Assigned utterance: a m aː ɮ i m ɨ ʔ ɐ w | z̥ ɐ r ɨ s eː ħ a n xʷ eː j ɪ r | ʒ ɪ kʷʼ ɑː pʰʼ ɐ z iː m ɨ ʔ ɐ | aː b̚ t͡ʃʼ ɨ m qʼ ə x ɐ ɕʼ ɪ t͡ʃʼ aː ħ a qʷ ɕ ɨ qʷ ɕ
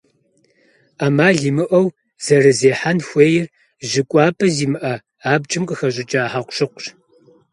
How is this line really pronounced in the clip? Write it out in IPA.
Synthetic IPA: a m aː ɮ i m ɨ ʔ ɐ w | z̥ ɐ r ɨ z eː ħ a n xʷ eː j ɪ r | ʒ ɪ kʷʼ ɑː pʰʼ ɐ z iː m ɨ ʔ ɐ | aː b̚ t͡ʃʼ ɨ m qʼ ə x ɐ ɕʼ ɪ t͡ʃʼ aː ħ a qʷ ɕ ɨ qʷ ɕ